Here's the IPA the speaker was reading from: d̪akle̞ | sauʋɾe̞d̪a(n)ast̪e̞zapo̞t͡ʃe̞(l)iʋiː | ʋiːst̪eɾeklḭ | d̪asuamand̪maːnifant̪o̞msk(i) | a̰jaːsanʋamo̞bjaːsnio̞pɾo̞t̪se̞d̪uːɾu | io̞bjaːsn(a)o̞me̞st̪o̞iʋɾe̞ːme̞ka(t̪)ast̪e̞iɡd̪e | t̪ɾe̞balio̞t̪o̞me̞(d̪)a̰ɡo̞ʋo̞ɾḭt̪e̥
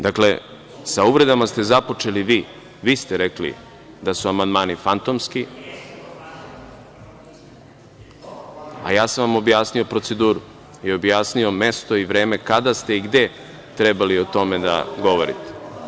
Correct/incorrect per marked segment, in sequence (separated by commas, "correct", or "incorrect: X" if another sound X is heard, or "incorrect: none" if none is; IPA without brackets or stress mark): incorrect: m, correct, correct, incorrect: i, incorrect: d̪, correct